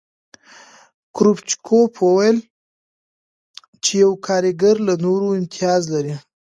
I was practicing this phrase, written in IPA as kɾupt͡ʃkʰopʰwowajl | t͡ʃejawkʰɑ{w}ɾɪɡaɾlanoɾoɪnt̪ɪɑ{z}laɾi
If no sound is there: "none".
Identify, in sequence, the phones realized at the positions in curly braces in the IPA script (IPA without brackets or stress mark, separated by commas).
none, z